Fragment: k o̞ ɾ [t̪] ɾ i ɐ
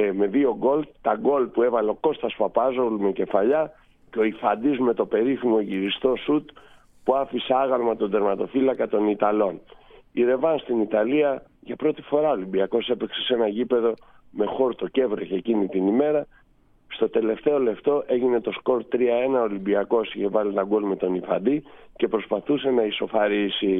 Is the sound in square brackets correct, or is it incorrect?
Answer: correct